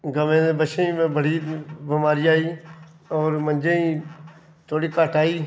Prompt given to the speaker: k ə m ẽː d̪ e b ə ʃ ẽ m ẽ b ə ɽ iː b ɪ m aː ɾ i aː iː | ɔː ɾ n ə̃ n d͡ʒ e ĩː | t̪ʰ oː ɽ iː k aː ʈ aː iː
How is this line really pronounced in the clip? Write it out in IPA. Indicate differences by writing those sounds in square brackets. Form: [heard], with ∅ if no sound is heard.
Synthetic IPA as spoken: [ɡ] ə m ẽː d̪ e b ə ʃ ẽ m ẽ b ə ɽ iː b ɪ m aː ɾ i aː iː | ɔː ɾ [m] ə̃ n d͡ʒ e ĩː | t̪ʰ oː ɽ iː k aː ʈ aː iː